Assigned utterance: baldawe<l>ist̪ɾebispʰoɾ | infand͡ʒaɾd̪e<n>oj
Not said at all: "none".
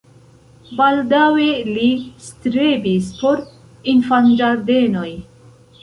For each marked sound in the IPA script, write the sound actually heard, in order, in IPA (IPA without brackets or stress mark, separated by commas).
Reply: l, n